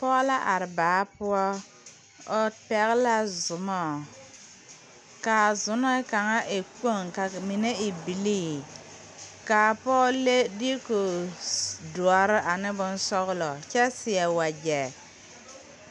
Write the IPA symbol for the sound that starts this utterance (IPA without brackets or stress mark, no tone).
p